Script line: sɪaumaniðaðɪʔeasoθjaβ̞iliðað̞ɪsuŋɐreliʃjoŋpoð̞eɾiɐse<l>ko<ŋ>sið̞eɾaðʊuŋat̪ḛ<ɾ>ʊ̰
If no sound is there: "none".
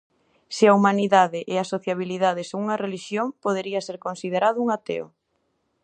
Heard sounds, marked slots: ɾ, n, none

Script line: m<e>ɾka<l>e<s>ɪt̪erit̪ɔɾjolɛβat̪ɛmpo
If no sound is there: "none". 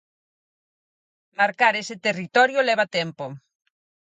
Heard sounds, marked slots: a, ɾ, s

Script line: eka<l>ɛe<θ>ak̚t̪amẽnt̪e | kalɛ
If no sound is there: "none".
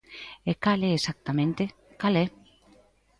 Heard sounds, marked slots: l, s

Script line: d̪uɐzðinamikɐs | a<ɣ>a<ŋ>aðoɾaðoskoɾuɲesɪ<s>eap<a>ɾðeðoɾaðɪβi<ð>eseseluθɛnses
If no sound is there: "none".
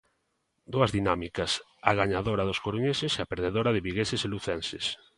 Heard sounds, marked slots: ɣ, ɲ, s, e, ɣ

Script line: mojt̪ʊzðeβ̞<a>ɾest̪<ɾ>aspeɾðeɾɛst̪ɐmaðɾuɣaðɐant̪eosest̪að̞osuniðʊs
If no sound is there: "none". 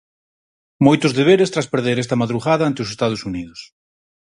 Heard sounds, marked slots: e, ɾ

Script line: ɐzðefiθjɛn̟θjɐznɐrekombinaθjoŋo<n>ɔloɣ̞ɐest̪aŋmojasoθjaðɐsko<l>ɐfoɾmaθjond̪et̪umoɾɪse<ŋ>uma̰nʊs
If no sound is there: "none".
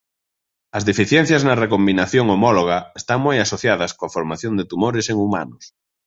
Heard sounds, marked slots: m, none, ŋ

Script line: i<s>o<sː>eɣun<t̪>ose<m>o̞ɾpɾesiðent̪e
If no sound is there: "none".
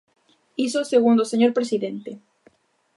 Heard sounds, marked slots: s, s, d̪, ɲ

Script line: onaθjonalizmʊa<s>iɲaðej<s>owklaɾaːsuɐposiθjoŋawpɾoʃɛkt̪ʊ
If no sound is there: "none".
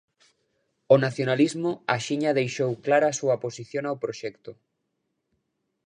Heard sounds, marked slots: ʃ, ʃ

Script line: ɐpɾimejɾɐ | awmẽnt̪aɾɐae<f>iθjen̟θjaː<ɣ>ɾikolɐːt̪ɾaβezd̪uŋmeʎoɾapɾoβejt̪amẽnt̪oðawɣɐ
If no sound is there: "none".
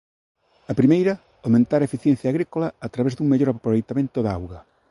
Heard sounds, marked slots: f, ɣ

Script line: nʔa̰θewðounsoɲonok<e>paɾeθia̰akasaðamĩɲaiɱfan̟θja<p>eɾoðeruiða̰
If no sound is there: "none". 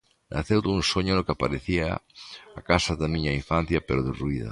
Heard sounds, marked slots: a, p

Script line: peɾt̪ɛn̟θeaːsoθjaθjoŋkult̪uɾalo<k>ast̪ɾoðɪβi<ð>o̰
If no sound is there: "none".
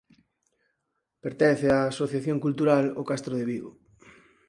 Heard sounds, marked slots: k, ɣ

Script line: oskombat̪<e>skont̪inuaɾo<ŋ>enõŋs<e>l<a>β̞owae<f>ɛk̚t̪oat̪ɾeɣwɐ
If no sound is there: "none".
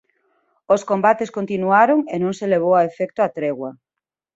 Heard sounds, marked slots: e, ŋ, e, e, f

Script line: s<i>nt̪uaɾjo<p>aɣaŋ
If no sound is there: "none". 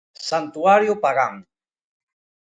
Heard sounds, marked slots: a, p

